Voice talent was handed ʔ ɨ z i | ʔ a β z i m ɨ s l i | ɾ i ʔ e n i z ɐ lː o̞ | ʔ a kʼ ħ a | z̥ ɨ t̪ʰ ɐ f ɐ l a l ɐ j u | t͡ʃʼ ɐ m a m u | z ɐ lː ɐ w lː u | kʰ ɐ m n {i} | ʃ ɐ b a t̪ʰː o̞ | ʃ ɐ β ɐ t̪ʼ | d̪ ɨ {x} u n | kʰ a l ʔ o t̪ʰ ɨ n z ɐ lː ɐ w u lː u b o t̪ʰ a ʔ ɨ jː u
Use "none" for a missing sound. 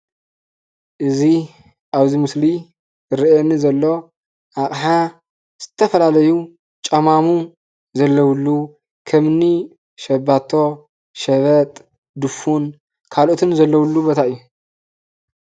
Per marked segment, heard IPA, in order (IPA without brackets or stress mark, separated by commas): i, f